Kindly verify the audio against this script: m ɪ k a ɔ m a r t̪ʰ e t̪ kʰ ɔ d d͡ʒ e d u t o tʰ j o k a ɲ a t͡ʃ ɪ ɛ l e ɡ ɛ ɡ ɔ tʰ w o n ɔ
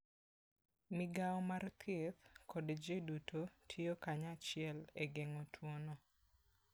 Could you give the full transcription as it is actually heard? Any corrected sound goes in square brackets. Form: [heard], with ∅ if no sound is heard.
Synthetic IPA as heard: m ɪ [ɡ] a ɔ m a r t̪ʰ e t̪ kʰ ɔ d d͡ʒ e d u t o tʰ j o k a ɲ a t͡ʃ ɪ ɛ l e ɡ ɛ [ŋ] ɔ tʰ w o n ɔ

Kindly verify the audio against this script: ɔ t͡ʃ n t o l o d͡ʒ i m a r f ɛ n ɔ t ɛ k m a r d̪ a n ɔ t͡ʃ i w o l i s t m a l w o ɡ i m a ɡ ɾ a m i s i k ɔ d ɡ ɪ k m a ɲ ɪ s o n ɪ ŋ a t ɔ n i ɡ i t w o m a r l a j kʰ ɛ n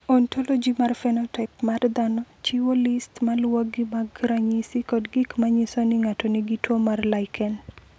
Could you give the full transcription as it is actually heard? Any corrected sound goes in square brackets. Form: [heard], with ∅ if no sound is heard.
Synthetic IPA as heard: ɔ [∅] n t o l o d͡ʒ i m a r f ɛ n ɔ t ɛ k m a r d̪ a n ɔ t͡ʃ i w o l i s t m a l w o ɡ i m a ɡ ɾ a [ɲ] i s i k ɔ d ɡ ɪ k m a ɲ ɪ s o n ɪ ŋ a t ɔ n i ɡ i t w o m a r l a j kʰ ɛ n

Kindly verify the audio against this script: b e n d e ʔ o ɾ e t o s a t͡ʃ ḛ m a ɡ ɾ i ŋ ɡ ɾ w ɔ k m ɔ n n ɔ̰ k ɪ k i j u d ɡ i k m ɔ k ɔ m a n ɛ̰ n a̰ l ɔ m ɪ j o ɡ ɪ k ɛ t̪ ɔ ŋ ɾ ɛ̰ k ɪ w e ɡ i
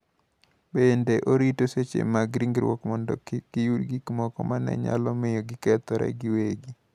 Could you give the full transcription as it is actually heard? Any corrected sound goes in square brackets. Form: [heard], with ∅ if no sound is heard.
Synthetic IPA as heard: b e n d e ʔ o ɾ [i] t o s [e] t͡ʃ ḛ m a ɡ ɾ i ŋ ɡ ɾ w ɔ k m ɔ n [d] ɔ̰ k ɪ k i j u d ɡ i k m ɔ k ɔ m a n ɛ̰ [ɲ] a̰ l ɔ m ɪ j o ɡ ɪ k ɛ t̪ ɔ [∅] ɾ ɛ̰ [ɡ] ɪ w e ɡ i

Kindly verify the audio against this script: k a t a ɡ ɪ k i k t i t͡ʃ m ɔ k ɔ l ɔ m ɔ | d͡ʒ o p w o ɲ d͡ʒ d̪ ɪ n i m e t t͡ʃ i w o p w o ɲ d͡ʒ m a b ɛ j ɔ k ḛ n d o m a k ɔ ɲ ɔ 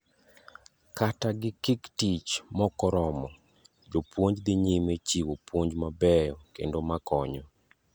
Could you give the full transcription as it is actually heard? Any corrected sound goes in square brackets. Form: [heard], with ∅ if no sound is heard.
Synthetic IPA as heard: k a t a ɡ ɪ k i k t i t͡ʃ m ɔ k ɔ [ɾ] ɔ m ɔ | d͡ʒ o p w o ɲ d͡ʒ d̪ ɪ [ɲ] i m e [∅] t͡ʃ i w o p w o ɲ d͡ʒ m a b ɛ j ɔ k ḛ n d o m a k ɔ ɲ ɔ

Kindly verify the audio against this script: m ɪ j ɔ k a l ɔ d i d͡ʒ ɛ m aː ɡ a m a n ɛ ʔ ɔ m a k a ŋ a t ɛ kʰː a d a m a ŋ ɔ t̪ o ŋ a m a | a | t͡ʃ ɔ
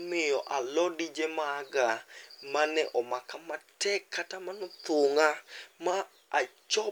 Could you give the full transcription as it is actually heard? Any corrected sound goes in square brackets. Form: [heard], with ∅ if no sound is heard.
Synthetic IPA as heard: m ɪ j ɔ [ʔ] a l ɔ d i d͡ʒ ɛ m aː ɡ a m a n ɛ ʔ ɔ m a k a [m] a t ɛ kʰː a [t] a m a [n] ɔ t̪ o ŋ a m a | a | t͡ʃ ɔ

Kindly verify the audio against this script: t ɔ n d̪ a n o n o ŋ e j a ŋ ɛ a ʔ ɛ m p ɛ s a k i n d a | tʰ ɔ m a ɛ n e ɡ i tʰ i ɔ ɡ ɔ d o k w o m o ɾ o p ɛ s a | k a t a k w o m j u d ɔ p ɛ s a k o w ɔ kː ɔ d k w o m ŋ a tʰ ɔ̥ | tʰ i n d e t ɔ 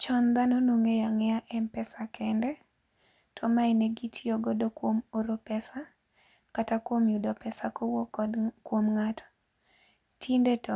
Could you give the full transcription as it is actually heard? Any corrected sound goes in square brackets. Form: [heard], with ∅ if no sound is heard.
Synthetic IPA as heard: [t͡ʃ] ɔ n d̪ a n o n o ŋ e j a ŋ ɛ a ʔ ɛ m p ɛ s a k [ɛ] n d [ɛ] | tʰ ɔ m a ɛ n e ɡ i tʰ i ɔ ɡ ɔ d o k w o m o ɾ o p ɛ s a | k a t a k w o m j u d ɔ p ɛ s a k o w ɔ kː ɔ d k w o m ŋ a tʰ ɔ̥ | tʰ i n d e t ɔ

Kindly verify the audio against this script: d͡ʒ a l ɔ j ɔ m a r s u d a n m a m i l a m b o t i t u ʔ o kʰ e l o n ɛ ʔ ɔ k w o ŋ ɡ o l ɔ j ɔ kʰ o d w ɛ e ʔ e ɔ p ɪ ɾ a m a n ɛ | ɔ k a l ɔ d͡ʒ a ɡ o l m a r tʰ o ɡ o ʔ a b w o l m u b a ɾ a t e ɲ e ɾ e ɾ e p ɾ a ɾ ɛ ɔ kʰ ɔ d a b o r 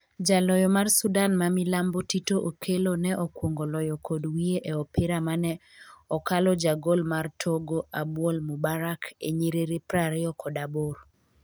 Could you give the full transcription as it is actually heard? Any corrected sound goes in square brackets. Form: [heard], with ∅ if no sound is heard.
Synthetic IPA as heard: d͡ʒ a l ɔ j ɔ m a r s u d a n m a m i l a m b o t i t [o] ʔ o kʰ e l o n ɛ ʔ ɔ k w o ŋ ɡ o l ɔ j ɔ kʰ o d w [i] e ʔ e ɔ p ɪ ɾ a m a n ɛ | ɔ k a l ɔ d͡ʒ a ɡ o l m a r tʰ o ɡ o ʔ a b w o l m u b a ɾ a [k] e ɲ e ɾ e ɾ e p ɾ a ɾ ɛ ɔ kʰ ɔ d a b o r

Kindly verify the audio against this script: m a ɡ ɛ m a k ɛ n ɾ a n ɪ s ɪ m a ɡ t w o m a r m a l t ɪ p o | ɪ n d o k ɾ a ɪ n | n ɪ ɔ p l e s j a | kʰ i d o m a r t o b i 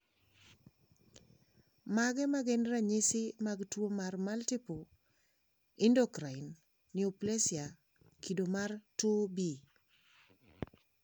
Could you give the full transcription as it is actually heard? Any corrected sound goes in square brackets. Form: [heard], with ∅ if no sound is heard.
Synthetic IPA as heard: m a ɡ ɛ m a [ɡ] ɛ n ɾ a [ɲ] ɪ s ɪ m a ɡ t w o m a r m a l t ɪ p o | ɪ n d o k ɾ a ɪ n | n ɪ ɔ p l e s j a | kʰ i d o m a r t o b i

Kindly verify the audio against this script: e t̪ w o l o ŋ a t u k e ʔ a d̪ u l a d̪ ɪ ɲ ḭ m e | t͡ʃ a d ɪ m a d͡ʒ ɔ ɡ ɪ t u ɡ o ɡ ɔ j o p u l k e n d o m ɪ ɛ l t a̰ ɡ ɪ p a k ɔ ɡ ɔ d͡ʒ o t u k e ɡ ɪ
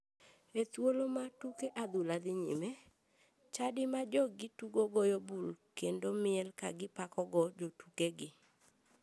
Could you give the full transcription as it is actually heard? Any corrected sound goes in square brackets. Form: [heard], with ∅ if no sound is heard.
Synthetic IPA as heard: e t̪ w o l o [m] a t u k e ʔ a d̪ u l a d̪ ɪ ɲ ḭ m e | t͡ʃ a d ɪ m a d͡ʒ ɔ ɡ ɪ t u ɡ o ɡ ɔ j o [b] u l k e n d o m ɪ ɛ l [k] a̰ ɡ ɪ p a k ɔ ɡ ɔ d͡ʒ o t u k e ɡ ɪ

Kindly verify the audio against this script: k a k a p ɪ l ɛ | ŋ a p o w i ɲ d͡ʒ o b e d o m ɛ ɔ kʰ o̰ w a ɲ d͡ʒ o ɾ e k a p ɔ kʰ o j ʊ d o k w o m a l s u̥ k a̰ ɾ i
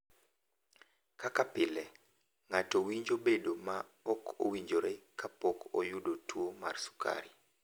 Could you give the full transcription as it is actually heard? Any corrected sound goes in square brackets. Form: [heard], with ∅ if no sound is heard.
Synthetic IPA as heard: k a k a p ɪ l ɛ | ŋ a [t] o w i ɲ d͡ʒ o b e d o m [a] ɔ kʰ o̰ w [i] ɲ d͡ʒ o ɾ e k a p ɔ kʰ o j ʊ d o [t] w o m a [r] s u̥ k a̰ ɾ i

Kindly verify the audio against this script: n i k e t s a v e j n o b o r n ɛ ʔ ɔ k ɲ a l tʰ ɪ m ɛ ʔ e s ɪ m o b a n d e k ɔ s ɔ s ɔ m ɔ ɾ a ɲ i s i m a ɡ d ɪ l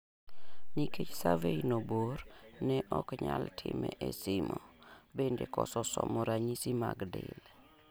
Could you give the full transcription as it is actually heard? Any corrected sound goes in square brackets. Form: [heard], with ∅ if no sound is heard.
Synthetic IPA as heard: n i k e [t͡ʃ] s a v e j n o b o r n ɛ ʔ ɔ k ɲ a l tʰ ɪ m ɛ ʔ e s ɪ m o b [e] n d e k ɔ s ɔ s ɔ m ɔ ɾ a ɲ i s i m a ɡ d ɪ l

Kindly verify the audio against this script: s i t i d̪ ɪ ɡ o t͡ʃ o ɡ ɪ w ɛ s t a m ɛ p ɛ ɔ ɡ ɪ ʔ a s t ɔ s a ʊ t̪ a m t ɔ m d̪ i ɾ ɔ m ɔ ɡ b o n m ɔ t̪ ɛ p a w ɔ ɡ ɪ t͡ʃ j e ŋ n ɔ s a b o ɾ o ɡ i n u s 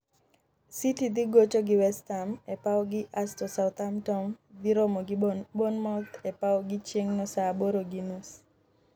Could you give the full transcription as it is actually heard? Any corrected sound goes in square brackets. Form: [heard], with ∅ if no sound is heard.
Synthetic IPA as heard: s i t i d̪ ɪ ɡ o t͡ʃ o ɡ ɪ w ɛ s t a m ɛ p [a] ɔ ɡ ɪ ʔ a s t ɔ s a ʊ t̪ a m t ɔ m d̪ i ɾ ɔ m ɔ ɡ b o n m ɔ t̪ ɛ p a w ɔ ɡ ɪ t͡ʃ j e ŋ n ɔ s a b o ɾ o ɡ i n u s

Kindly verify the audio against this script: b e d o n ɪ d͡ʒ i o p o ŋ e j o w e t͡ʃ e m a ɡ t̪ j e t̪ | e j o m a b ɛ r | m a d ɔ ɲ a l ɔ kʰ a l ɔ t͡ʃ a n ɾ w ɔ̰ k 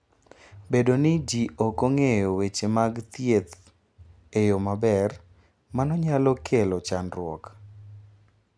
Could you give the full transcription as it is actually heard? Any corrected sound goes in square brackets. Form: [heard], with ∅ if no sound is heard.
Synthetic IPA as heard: b e d o n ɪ d͡ʒ i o [k] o ŋ e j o w e t͡ʃ e m a ɡ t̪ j e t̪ | e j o m a b ɛ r | m a [n] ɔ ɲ a l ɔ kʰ [e] l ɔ t͡ʃ a n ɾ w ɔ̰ k

